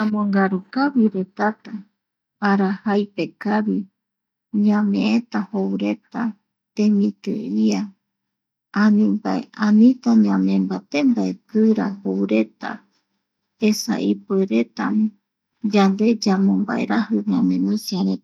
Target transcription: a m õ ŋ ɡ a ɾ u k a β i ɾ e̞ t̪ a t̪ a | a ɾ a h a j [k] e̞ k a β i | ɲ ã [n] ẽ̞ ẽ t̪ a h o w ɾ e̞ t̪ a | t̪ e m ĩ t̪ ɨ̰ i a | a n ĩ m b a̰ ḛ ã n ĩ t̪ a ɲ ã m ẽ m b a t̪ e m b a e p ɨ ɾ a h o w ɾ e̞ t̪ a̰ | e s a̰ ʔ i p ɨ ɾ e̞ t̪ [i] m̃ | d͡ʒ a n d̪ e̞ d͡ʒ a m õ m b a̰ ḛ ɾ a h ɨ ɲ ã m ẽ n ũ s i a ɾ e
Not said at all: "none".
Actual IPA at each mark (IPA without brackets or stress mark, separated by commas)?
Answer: p, m, a